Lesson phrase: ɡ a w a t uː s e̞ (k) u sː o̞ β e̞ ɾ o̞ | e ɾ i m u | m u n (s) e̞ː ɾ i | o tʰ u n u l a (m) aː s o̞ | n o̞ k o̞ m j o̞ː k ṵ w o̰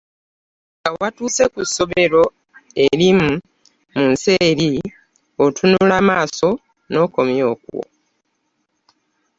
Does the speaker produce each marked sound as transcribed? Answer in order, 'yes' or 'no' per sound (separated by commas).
yes, yes, yes